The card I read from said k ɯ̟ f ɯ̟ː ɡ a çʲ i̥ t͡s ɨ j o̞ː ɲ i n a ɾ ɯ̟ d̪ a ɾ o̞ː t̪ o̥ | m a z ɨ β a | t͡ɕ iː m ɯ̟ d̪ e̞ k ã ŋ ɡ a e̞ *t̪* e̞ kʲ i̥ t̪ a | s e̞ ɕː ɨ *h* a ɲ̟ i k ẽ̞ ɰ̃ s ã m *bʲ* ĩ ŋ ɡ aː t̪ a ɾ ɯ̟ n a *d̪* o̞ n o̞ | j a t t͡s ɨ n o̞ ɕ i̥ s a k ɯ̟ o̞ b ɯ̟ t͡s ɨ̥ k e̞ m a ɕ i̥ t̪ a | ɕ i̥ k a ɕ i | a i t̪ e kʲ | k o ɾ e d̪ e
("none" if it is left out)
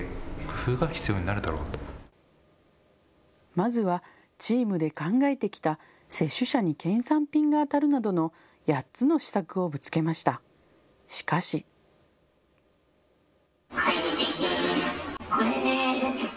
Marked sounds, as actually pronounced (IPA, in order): t̪, ɕ, pʲ, d̪

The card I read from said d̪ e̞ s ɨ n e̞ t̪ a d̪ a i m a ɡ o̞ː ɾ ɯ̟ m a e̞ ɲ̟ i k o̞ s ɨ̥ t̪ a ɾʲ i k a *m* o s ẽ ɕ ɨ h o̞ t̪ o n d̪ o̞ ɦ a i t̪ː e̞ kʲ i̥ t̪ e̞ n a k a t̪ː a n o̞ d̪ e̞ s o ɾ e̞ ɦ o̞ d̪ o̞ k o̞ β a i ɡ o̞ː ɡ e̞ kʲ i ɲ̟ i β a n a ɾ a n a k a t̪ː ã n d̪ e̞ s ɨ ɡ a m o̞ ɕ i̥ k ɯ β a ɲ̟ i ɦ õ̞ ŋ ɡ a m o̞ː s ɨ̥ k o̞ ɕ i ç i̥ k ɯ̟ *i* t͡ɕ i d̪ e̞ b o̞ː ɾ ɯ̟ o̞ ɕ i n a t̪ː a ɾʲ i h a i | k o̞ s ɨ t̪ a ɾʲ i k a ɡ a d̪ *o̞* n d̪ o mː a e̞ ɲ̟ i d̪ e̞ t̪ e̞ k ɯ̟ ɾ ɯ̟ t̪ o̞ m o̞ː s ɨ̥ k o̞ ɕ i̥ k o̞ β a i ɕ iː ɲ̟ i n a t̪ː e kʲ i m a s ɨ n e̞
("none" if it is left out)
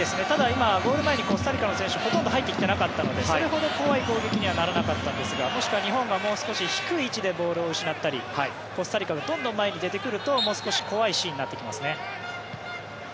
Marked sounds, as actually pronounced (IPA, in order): n, iː, õ̞

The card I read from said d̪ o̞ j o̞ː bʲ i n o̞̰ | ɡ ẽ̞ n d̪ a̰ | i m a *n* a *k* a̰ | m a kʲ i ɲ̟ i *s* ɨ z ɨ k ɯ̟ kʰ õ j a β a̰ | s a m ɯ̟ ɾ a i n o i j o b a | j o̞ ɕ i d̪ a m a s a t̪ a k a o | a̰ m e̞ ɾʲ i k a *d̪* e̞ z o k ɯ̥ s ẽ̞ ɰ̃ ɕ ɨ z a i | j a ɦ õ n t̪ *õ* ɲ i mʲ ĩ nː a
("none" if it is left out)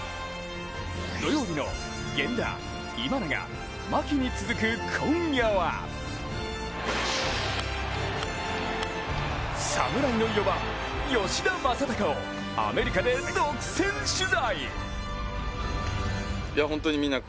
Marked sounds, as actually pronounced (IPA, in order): n, ɡ, t͡s, d̪, o

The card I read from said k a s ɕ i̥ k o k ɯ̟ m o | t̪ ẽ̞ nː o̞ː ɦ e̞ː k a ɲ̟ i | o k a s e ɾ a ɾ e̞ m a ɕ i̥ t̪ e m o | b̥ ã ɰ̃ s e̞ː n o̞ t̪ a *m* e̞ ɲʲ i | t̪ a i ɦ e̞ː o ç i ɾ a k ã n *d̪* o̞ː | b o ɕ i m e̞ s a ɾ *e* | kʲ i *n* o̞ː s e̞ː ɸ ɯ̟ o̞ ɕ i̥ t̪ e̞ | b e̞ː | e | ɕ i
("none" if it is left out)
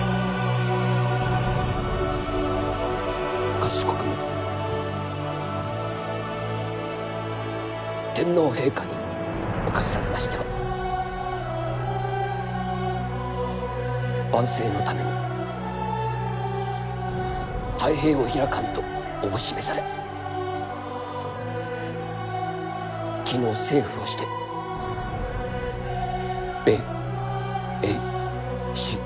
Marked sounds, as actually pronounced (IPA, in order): m, t̪, e, n

